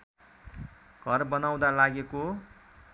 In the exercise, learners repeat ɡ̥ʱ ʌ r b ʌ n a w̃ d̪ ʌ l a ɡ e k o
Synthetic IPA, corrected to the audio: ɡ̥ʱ ʌ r b ʌ n a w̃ d̪ a l a ɡ e k o